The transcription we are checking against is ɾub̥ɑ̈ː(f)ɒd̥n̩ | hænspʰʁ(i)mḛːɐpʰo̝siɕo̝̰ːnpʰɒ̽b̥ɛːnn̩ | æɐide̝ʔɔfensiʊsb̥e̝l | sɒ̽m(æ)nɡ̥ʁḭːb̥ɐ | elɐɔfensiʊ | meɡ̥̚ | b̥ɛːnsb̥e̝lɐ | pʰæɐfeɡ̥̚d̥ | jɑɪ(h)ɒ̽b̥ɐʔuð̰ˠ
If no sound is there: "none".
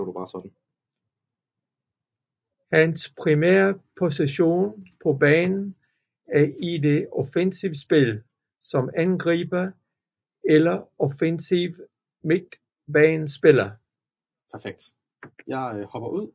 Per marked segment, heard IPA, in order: s, i, æ, h

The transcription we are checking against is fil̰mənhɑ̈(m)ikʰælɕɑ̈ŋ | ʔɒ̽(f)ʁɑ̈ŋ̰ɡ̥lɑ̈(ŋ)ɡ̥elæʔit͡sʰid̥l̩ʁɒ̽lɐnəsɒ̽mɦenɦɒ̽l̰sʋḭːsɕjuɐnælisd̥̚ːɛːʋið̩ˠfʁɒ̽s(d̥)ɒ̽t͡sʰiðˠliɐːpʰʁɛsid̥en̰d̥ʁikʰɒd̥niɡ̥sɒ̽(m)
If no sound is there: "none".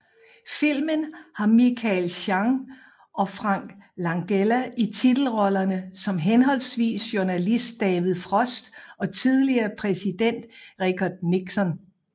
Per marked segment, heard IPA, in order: m, f, ŋ, d̥, n

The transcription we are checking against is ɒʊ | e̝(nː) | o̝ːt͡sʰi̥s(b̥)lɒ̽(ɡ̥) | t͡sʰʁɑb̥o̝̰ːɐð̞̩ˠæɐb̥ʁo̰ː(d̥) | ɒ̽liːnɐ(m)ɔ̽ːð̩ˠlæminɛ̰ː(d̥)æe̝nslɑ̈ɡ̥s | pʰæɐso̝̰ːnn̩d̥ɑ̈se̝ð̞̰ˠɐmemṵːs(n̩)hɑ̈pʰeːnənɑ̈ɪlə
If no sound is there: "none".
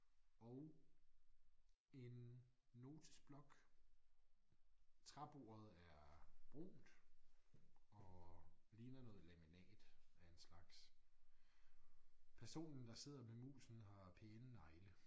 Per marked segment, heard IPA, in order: nː, b̥, ɡ̥, d̥, n, d̥, n̩

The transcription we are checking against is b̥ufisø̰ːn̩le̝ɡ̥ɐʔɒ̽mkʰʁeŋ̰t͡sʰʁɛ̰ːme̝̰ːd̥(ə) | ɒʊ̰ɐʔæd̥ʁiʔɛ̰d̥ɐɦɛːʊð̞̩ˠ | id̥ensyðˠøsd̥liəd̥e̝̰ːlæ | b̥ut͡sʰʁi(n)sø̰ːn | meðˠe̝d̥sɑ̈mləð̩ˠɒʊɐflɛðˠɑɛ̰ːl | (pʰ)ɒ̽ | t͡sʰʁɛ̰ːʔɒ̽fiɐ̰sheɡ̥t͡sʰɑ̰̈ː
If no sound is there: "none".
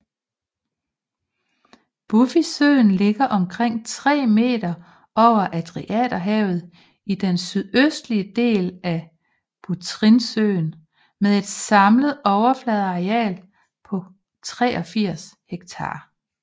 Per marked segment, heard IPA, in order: ɐ, n, pʰ

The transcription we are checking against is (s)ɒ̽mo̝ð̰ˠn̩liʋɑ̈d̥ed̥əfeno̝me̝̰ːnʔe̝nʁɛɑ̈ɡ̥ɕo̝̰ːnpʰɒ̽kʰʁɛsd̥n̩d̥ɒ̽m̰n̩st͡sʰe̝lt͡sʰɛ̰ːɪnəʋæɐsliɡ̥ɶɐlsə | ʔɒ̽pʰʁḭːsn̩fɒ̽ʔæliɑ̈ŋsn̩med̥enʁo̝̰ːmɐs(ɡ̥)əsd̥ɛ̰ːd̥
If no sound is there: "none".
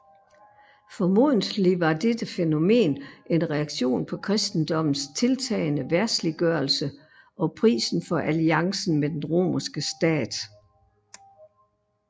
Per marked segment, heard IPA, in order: f, ɡ̥

